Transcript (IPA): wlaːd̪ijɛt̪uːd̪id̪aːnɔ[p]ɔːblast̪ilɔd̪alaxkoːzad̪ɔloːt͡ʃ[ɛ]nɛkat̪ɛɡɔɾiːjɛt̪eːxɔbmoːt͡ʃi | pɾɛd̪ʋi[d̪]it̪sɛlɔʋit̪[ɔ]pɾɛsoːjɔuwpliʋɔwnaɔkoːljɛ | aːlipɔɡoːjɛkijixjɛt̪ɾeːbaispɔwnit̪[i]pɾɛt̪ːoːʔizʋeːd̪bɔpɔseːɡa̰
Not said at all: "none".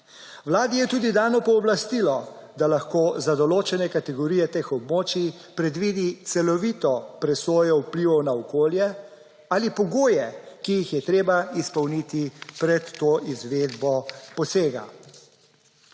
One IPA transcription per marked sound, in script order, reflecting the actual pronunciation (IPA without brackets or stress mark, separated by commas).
p, ɛ, d̪, ɔ, i